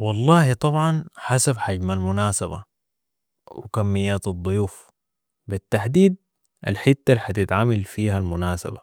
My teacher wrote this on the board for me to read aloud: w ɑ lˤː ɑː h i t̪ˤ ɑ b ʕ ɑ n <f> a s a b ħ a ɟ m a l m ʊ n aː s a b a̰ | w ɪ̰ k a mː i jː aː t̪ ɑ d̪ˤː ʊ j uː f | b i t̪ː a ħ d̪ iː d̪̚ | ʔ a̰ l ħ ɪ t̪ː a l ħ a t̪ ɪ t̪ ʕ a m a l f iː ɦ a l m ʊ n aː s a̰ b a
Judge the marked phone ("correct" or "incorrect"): incorrect